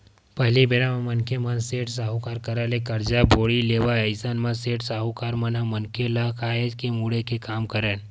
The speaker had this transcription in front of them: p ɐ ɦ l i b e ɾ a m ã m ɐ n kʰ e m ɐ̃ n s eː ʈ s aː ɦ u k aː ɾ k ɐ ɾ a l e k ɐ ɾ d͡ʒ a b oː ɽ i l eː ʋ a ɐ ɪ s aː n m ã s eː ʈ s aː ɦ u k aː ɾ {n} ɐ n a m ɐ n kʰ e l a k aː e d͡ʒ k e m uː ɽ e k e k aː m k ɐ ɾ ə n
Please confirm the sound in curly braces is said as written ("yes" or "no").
no